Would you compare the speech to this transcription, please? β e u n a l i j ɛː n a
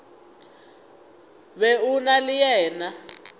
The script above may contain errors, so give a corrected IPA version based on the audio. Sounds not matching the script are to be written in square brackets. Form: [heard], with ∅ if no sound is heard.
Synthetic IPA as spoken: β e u n a l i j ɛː n a